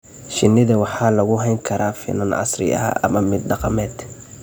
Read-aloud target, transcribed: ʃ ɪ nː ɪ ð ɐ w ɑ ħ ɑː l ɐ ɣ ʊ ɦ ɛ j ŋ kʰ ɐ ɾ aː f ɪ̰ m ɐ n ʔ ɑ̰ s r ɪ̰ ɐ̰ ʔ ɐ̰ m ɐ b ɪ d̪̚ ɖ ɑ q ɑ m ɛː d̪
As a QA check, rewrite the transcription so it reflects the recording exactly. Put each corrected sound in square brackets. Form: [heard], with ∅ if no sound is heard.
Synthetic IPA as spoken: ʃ ɪ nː ɪ ð ɐ w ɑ ħ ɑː l ɐ ɣ ʊ ɦ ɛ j ŋ kʰ ɐ ɾ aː f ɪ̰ [n] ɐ n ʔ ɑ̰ s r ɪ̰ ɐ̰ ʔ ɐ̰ m ɐ [m] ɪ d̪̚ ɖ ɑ q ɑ m ɛː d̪